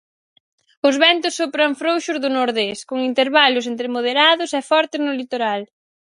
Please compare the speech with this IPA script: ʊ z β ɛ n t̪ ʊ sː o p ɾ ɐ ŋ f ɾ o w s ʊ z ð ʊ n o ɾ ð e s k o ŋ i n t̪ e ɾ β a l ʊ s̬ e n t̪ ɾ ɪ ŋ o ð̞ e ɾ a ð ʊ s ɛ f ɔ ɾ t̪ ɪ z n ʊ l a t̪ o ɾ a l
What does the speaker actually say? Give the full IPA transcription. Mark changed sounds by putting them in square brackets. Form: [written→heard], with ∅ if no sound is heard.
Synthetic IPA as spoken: ʊ z β ɛ n t̪ ʊ sː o p ɾ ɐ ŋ f ɾ o w [s→ʃ] ʊ z ð ʊ n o ɾ ð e s k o ŋ i n t̪ e ɾ β a l ʊ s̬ e n t̪ ɾ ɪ [ŋ→m] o ð̞ e ɾ a ð ʊ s ɛ f ɔ ɾ t̪ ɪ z n ʊ l [a→i] t̪ o ɾ a l